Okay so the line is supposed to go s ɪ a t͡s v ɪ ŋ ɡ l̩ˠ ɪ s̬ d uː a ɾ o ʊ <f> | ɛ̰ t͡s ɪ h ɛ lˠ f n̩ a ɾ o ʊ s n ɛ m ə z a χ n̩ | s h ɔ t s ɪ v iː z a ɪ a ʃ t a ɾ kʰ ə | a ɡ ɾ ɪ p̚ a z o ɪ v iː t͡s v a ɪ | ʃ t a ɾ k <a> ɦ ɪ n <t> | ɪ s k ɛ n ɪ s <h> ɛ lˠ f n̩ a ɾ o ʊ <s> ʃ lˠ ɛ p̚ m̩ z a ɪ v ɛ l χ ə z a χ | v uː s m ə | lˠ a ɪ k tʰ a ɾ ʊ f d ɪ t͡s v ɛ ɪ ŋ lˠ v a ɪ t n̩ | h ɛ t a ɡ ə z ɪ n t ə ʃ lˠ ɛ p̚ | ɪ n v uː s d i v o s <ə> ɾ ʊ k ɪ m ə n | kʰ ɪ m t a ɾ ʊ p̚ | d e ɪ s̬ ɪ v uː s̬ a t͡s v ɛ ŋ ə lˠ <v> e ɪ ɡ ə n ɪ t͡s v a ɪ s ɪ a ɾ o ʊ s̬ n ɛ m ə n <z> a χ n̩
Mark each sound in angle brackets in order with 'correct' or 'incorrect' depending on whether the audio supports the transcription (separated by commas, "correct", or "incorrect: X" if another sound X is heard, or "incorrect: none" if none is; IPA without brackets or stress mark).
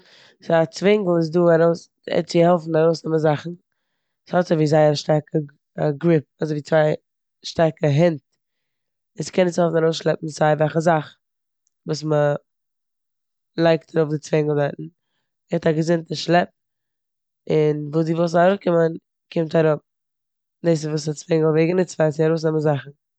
incorrect: s, incorrect: ə, correct, correct, correct, incorrect: a, correct, correct